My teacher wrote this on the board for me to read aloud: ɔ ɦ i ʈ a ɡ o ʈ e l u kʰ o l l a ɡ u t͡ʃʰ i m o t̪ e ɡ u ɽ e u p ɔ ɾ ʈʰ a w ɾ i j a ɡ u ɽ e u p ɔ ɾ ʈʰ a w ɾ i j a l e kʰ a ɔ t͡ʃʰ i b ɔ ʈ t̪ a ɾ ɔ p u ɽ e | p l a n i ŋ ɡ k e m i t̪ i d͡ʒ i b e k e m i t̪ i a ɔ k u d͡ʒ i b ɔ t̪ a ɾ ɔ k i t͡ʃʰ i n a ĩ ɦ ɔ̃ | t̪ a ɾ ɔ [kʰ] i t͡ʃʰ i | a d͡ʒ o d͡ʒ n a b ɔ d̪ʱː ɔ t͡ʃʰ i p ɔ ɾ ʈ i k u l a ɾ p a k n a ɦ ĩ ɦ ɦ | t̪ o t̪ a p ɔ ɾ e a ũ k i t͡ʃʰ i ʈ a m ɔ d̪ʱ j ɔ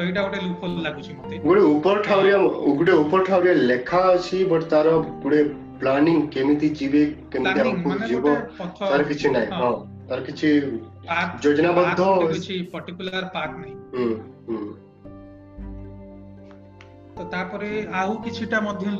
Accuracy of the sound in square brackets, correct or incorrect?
incorrect